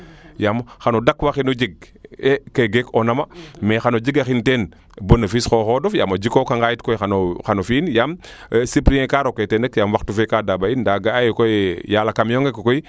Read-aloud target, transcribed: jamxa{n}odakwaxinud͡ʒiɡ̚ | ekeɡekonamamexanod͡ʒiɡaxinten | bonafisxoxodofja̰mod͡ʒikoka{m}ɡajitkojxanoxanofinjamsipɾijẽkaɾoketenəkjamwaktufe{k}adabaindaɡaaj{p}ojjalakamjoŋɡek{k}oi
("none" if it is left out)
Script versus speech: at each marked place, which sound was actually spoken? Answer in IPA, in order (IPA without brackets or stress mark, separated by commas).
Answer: n, ŋ, k, k, k